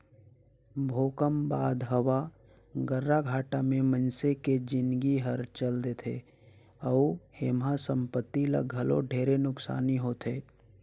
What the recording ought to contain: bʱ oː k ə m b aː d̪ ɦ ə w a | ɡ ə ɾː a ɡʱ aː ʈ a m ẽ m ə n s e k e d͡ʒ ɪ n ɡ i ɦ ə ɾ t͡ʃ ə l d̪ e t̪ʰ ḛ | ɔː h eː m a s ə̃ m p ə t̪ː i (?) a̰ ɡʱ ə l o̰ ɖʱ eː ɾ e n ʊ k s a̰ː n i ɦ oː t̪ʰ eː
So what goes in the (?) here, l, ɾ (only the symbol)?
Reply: l